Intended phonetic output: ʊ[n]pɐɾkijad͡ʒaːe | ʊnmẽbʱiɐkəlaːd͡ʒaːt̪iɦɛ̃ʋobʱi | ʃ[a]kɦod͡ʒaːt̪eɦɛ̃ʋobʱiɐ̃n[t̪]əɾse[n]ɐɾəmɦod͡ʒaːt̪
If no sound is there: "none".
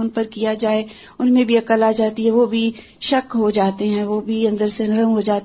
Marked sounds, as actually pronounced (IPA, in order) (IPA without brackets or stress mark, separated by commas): n, ɐ, d̪, n